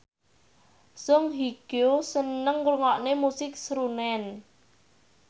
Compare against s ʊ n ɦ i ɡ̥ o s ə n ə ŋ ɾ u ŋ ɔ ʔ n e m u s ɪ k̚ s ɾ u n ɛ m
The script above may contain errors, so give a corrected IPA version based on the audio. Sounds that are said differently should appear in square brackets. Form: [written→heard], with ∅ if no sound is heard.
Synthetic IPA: s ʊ [n→ŋ] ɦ i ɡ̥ o s ə n ə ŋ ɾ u ŋ ɔ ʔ n e m u s ɪ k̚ s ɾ u n ɛ [m→n]